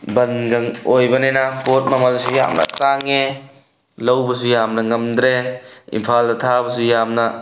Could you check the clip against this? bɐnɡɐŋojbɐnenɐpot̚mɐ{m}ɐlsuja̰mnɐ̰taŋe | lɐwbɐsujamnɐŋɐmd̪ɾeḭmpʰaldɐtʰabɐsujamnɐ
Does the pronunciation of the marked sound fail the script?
no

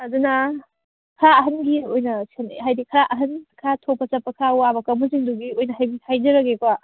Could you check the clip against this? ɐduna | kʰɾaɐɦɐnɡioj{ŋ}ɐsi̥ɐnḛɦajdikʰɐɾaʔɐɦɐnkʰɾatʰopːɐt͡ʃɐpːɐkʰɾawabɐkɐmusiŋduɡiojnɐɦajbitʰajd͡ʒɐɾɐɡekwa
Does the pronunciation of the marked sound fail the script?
yes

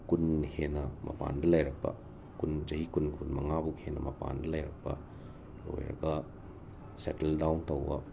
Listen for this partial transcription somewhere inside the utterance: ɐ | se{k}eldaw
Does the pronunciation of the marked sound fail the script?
yes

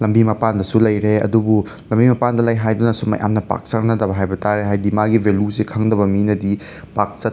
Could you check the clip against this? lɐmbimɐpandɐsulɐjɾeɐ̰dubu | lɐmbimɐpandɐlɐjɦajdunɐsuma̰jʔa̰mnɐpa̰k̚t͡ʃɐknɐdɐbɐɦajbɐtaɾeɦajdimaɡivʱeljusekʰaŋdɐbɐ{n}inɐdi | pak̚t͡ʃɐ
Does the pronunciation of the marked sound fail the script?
yes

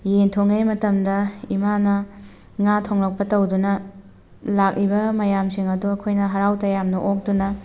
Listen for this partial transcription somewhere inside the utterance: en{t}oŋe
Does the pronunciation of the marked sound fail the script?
yes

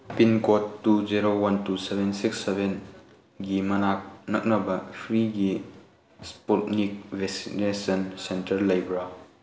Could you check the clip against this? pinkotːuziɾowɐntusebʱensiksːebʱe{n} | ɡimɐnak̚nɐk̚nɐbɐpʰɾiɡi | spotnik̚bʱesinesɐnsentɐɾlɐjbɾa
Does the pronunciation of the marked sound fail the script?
no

